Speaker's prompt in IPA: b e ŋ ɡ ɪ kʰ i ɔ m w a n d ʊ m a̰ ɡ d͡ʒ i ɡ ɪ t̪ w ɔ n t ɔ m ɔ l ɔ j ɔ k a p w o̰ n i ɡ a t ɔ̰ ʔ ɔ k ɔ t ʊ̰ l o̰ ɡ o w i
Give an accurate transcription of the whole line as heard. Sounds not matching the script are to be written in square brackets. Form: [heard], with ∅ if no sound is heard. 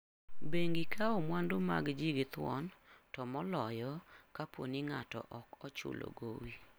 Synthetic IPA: b e ŋ ɡ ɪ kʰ [a] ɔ m w a n d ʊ m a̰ ɡ d͡ʒ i ɡ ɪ t̪ w ɔ n t ɔ m ɔ l ɔ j ɔ k a p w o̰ n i [ŋ] a t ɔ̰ ʔ ɔ k ɔ [t͡ʃ] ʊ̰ l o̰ ɡ o w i